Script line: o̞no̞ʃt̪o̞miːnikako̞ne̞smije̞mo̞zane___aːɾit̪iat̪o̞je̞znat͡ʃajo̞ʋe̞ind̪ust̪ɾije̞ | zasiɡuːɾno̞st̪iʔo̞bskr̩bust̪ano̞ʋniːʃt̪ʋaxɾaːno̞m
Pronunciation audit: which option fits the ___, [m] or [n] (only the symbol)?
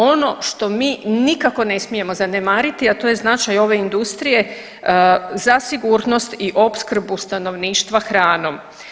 m